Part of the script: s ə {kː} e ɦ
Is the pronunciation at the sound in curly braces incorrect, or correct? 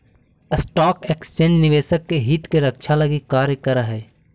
correct